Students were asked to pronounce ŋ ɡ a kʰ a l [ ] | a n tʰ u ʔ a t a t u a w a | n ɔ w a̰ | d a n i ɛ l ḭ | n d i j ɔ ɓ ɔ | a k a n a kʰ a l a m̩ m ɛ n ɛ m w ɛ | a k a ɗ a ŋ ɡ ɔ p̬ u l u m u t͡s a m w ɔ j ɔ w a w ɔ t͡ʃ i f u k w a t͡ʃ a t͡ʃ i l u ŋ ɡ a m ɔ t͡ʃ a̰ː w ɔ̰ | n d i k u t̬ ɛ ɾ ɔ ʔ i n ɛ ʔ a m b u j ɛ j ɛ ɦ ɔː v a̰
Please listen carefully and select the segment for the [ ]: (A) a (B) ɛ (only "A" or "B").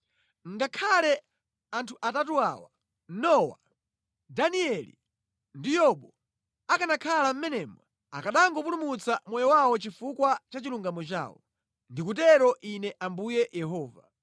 B